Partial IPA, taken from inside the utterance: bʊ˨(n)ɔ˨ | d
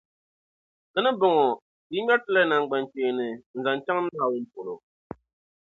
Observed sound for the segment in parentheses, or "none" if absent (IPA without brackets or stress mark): ŋ